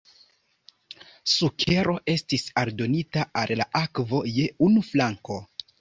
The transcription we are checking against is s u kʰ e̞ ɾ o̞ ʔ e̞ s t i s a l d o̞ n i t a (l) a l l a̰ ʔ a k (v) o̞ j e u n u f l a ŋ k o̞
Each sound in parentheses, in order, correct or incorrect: incorrect, correct

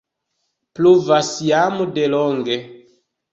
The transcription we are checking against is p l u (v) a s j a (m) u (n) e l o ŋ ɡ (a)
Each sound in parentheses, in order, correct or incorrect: correct, correct, incorrect, incorrect

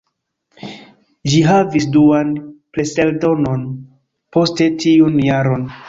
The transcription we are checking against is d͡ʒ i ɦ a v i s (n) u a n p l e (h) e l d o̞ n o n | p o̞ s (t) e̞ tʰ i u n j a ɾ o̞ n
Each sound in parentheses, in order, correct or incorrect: incorrect, incorrect, correct

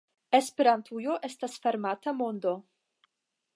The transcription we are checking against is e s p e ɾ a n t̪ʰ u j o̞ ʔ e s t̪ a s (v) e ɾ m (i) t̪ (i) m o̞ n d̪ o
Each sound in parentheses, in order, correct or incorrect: incorrect, incorrect, incorrect

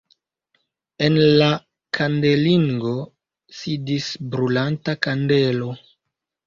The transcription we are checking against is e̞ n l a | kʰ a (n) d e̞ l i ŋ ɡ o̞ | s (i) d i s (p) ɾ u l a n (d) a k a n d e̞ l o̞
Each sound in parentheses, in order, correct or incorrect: correct, correct, incorrect, incorrect

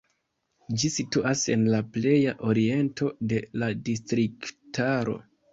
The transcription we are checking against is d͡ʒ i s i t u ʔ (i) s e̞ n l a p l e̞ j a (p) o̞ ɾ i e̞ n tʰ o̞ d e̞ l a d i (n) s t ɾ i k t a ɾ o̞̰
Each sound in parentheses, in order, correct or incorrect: incorrect, incorrect, incorrect

